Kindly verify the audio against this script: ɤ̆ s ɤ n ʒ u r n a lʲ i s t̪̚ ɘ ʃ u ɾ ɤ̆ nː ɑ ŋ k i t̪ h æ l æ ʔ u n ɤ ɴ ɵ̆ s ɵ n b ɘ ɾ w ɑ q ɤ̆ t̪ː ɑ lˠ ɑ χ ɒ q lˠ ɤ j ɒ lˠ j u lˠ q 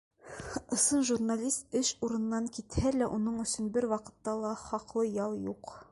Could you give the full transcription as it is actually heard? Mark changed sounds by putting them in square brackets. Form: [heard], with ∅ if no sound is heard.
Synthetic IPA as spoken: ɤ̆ s ɤ n ʒ u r n a lʲ i s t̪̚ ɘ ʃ u ɾ ɤ̆ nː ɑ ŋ k i t̪ h æ l æ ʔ u n ɤ ɴ ɵ̆ s ɵ n b ɘ ɾ w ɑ q ɤ̆ t̪ː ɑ lˠ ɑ χ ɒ q lˠ ɤ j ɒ lˠ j u [∅] q